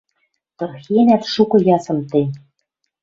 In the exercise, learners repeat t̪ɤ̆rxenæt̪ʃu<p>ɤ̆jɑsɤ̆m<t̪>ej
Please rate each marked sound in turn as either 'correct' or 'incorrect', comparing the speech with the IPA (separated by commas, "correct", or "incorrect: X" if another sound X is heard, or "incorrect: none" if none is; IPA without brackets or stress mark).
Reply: incorrect: k, correct